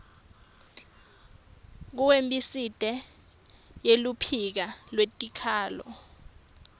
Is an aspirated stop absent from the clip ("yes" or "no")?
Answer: no